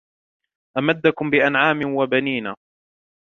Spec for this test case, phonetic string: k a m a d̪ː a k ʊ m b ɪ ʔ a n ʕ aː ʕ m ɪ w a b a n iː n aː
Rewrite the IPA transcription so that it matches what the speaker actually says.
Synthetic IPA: ʔ a m a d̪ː a k ʊ m b ɪ ʔ a n ʕ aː m ɪ w a b a n iː n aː